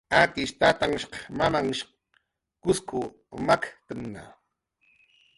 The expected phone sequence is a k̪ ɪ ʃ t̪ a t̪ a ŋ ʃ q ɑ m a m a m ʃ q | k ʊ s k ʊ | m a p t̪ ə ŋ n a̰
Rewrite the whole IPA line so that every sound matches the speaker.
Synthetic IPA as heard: a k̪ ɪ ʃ t̪ a t̪ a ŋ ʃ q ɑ m a m a ŋ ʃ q | k ʊ s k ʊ | m a k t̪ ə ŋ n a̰